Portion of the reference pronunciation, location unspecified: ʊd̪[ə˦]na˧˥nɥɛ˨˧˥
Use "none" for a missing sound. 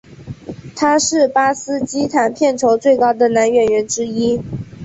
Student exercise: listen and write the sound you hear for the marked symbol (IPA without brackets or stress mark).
ə˨